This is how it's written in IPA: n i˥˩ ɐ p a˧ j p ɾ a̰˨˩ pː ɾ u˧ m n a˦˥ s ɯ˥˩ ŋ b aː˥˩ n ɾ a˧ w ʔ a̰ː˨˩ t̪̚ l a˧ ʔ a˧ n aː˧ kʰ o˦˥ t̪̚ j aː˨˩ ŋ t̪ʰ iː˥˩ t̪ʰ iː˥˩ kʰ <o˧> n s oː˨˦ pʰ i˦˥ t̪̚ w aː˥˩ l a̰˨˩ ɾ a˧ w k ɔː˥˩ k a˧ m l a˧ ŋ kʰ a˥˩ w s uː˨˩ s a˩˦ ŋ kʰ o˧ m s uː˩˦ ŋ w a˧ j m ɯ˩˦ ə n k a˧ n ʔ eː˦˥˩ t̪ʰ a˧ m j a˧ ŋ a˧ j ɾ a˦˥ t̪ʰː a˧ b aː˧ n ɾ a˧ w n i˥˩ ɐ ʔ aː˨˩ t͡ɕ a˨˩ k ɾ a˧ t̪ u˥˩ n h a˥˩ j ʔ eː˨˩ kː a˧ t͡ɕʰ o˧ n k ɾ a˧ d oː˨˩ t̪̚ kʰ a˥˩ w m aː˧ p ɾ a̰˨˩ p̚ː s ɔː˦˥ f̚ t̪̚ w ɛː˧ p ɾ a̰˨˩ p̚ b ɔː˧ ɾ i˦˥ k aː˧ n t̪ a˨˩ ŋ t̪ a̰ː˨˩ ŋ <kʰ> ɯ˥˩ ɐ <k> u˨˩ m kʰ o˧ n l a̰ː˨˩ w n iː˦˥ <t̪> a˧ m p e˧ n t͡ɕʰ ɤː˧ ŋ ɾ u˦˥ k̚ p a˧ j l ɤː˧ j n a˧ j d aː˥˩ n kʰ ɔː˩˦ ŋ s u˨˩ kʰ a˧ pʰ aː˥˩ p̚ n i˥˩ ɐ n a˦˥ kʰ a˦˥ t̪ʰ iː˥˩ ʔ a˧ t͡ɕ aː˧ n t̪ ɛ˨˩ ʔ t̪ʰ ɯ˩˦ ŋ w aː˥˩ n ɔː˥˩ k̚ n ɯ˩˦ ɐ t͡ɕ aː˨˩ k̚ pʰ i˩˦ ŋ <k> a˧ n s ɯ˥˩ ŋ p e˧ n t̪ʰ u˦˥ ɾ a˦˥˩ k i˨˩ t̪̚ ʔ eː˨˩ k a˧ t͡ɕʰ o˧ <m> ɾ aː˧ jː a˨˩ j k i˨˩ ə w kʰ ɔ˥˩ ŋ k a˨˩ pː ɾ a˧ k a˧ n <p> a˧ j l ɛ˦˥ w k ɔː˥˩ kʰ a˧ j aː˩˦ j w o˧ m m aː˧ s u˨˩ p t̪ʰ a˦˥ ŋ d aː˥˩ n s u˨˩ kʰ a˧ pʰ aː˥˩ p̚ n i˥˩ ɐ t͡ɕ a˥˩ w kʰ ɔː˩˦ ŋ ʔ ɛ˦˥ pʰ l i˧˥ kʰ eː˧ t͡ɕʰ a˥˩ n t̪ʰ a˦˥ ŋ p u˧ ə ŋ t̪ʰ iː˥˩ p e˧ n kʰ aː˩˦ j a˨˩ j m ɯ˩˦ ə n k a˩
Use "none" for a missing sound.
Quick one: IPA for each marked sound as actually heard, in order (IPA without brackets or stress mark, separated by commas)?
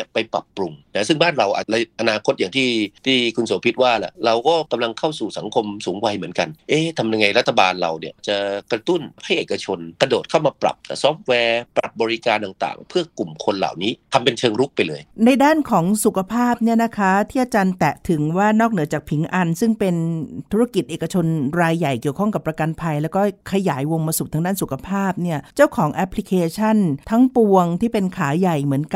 u˧, pʰ, k, t̪ʰ, ʔ, n, pʰ